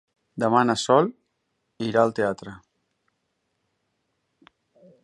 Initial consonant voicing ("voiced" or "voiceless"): voiced